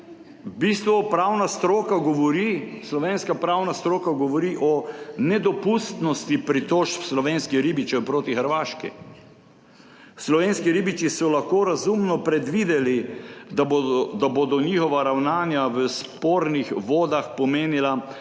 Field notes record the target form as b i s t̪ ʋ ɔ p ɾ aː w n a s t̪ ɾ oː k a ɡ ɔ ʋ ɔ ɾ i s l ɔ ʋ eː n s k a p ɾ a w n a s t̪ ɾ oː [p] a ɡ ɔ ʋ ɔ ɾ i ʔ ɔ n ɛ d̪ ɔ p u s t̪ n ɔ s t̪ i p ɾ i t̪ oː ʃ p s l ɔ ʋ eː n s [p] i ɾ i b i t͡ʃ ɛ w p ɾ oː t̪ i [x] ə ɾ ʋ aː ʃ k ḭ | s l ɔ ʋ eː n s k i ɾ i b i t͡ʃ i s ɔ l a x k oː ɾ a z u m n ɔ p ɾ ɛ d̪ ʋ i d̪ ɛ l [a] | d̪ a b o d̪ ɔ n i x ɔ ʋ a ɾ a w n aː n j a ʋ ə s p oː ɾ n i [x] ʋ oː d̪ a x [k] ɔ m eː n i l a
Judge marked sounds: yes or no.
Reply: no, no, yes, no, yes, no

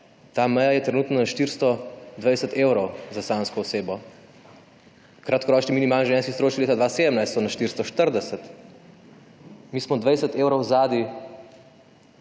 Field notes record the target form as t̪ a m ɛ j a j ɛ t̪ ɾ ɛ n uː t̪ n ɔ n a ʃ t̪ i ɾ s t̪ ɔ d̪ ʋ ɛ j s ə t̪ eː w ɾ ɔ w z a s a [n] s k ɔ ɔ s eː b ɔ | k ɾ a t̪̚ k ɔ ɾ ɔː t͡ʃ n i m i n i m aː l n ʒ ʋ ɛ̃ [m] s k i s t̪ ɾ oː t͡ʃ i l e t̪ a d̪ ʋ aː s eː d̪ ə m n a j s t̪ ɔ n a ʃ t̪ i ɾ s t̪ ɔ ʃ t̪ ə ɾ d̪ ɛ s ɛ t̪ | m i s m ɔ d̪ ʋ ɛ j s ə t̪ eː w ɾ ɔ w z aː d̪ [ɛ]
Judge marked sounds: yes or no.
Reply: yes, no, no

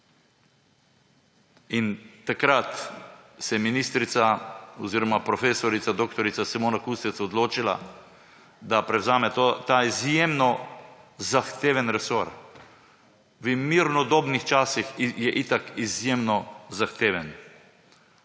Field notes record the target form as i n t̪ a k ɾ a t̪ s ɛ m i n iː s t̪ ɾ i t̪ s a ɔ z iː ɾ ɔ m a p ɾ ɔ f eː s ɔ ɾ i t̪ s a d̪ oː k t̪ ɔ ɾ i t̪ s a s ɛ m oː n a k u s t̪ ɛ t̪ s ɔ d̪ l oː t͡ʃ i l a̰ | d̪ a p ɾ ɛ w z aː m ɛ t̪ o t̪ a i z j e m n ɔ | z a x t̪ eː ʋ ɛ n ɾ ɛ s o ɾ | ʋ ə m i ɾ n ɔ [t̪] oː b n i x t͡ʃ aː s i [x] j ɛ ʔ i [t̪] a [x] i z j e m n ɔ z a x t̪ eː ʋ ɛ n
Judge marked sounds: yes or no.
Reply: no, yes, yes, no

